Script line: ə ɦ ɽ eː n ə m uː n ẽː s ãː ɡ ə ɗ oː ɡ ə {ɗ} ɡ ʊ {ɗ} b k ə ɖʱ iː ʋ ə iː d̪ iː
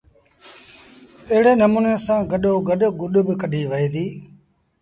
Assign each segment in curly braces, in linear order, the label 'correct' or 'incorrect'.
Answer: correct, correct

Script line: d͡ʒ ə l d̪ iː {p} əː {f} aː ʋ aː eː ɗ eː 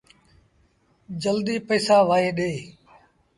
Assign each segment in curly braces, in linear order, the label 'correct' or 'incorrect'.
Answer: correct, incorrect: s

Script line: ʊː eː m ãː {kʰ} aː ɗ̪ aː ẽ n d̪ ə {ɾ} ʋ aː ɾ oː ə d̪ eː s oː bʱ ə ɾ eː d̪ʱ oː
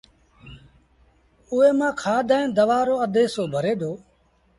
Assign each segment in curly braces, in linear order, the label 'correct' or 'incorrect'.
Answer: correct, incorrect: none

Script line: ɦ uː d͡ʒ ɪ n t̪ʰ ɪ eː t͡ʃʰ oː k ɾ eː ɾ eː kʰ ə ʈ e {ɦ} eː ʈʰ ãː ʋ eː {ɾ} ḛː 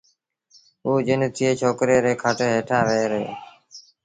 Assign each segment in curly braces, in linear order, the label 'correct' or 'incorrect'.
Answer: correct, correct

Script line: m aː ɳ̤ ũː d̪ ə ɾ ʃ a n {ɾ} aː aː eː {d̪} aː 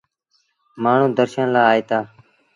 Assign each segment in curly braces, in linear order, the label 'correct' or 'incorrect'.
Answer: incorrect: l, incorrect: t̪

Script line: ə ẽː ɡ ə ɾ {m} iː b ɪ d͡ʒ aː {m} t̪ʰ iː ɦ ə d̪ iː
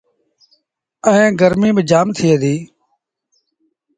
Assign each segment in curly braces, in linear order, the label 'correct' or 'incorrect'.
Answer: correct, correct

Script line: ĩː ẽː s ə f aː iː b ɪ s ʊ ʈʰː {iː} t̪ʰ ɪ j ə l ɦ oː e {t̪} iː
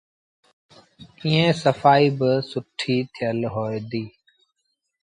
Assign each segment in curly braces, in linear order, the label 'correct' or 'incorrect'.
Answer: correct, incorrect: d̪

